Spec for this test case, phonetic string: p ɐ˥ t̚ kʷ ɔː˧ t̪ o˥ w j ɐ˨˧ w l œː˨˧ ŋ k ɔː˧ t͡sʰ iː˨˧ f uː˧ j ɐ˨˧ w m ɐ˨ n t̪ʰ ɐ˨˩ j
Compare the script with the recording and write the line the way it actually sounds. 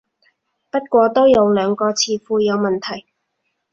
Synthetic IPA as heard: p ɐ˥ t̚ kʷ ɔː˧ t̪ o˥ w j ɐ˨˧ w l œː˨˧ ŋ k ɔː˧ t͡sʰ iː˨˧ f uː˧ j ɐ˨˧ w m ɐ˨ n t̪ʰ ɐ˨˩ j